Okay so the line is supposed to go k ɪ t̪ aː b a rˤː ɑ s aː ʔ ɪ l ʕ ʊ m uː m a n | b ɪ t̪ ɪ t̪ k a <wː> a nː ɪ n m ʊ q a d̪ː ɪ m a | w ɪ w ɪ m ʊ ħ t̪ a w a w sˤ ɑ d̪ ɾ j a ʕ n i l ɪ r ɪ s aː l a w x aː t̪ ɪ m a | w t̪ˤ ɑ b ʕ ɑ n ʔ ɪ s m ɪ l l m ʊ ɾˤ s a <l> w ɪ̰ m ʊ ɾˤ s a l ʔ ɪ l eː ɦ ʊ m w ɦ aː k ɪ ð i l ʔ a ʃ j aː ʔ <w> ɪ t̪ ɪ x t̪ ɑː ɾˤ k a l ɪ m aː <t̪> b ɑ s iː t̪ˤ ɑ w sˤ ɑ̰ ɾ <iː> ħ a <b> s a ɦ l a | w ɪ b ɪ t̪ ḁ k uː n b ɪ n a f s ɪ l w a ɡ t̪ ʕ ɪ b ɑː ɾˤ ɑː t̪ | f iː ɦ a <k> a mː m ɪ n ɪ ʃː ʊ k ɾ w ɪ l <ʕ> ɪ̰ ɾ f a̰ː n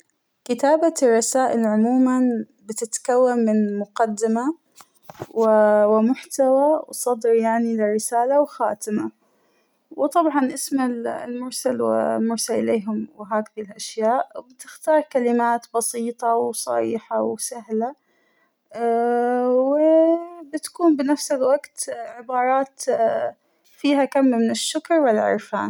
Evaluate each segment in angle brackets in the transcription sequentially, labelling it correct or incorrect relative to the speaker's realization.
correct, correct, incorrect: b, correct, correct, incorrect: w, correct, correct

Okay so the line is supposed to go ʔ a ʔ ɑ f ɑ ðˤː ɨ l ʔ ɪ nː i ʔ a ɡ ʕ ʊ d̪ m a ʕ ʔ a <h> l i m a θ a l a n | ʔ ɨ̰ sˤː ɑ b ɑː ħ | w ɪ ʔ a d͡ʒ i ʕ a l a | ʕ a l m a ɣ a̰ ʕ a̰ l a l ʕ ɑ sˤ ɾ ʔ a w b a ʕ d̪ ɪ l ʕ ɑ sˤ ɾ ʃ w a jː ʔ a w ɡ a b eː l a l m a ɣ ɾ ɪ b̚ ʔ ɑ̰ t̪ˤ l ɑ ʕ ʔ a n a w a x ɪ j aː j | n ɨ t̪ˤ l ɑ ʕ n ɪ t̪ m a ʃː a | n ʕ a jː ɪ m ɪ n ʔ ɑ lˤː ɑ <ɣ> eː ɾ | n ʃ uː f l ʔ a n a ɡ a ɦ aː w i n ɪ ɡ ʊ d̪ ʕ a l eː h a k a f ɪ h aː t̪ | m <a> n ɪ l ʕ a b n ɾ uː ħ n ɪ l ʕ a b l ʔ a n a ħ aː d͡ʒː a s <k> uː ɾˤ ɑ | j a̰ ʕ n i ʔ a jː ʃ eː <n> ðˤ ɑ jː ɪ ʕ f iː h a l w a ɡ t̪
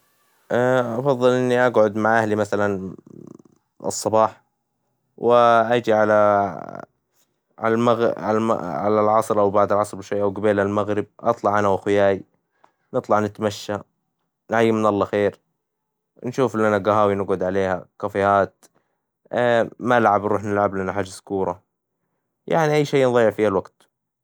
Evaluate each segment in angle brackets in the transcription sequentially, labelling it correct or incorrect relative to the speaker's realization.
correct, incorrect: x, correct, correct, correct

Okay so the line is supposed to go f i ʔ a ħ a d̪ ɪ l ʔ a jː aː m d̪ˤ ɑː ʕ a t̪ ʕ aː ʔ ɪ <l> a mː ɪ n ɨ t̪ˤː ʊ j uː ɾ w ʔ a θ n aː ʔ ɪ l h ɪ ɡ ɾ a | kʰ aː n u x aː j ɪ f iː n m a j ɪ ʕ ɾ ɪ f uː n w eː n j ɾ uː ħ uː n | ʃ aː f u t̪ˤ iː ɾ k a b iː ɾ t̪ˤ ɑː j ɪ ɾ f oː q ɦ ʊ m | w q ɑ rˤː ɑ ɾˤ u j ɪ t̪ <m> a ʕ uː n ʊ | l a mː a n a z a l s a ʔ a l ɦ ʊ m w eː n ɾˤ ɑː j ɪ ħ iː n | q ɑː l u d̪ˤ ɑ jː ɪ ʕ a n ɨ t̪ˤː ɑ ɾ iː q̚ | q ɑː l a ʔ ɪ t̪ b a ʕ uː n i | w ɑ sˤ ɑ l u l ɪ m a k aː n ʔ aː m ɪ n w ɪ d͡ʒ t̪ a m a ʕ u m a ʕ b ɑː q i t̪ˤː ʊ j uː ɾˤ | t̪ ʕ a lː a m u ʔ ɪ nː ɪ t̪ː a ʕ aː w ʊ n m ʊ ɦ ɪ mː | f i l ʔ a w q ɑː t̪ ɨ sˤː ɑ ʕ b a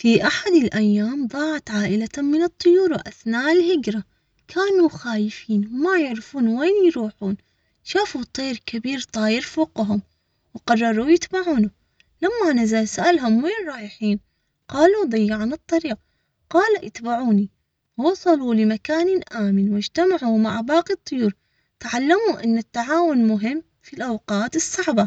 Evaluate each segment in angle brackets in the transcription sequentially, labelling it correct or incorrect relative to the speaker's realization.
correct, incorrect: b

